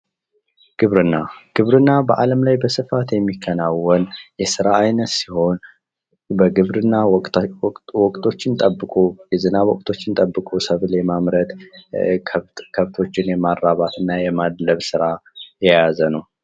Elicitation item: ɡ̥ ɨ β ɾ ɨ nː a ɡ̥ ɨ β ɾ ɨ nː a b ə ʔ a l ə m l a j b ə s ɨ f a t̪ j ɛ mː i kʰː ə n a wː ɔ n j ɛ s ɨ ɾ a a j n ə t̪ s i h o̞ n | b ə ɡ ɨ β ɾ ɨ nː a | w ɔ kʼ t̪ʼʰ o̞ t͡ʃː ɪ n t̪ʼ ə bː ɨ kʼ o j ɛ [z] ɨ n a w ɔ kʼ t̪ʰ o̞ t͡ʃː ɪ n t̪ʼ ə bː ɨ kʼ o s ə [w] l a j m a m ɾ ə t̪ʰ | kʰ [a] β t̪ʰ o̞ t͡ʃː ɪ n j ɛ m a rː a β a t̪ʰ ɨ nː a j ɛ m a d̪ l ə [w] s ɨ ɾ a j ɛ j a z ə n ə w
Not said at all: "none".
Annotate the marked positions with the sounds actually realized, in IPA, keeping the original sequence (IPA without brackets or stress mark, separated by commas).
z, β, ə, β